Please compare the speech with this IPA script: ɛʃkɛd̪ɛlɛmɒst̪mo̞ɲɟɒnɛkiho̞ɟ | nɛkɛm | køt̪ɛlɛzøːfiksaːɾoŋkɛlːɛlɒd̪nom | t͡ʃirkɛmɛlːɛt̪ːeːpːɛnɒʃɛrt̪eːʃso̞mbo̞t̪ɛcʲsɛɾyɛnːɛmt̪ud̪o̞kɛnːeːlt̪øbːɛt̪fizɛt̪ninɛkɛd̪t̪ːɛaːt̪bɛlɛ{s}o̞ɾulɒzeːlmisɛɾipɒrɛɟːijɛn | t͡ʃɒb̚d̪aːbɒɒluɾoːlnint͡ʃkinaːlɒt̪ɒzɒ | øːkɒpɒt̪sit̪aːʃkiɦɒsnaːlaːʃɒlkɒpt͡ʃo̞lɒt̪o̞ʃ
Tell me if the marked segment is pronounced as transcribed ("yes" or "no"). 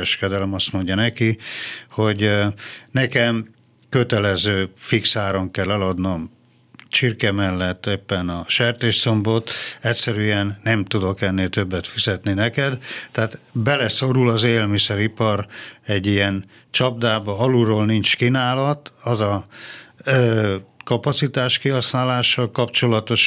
yes